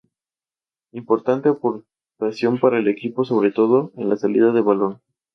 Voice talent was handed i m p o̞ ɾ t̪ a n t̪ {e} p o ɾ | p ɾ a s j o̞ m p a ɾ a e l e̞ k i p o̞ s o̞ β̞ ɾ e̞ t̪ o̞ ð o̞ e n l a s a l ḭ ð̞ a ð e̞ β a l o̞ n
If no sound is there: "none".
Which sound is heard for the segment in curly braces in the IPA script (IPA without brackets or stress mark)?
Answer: e